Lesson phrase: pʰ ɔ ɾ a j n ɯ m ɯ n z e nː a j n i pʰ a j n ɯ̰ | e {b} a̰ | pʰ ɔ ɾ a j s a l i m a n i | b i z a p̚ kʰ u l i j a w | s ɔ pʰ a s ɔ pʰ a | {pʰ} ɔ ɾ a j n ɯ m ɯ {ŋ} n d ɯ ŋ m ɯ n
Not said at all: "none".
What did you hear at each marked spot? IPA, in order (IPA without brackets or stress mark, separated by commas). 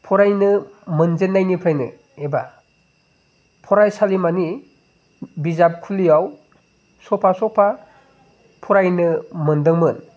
b, pʰ, none